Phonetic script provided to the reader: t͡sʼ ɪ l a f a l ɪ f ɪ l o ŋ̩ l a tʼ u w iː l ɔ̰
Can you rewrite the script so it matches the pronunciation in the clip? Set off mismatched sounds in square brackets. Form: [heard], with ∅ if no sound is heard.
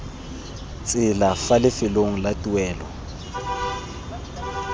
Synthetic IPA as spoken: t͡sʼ ɪ l a f a l ɪ f ɪ l o ŋ̩ l a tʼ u w [ɛː] l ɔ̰